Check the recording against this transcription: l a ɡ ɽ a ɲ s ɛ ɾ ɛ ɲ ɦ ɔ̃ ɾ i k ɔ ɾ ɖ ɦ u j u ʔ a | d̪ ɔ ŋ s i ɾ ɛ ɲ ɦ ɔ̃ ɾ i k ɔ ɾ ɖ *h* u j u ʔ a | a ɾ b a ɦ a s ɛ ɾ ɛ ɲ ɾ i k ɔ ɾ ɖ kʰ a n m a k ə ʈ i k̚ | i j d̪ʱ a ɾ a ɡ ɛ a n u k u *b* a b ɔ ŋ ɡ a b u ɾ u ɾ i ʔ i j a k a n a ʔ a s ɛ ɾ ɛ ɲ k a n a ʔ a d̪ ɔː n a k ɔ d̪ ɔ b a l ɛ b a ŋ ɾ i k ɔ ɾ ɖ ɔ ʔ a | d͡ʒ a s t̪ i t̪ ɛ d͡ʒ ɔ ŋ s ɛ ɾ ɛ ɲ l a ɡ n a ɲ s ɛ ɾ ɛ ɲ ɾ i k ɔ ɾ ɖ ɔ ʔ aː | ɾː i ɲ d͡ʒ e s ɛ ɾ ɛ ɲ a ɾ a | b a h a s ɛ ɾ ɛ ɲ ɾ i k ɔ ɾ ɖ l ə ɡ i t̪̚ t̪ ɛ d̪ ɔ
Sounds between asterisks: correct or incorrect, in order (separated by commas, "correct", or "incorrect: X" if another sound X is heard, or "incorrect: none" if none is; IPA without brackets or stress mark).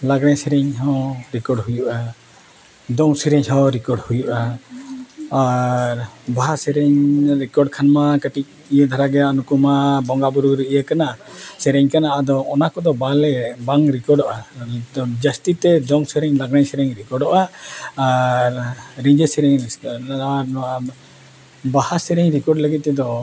correct, incorrect: m